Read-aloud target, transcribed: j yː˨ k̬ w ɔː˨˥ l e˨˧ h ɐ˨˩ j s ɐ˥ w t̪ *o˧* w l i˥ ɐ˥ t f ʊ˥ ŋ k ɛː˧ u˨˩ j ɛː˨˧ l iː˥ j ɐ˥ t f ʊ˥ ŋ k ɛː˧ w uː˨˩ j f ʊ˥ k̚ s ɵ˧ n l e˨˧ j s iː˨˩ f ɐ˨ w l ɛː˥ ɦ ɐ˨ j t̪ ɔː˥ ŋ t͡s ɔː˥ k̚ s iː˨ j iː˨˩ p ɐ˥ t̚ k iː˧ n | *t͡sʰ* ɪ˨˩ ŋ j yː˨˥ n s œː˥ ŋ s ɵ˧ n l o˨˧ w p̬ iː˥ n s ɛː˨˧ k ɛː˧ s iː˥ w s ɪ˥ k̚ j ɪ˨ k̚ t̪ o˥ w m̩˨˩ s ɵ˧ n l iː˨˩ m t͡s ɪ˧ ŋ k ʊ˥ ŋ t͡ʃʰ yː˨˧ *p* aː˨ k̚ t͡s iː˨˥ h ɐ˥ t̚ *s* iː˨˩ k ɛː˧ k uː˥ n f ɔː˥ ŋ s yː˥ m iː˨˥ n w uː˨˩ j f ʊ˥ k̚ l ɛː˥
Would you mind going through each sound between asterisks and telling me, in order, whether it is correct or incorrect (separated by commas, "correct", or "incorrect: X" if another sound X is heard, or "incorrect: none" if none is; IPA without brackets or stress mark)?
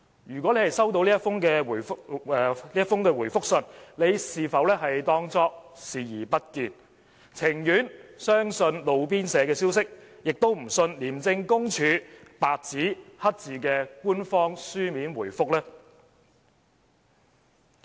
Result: correct, correct, correct, incorrect: t͡s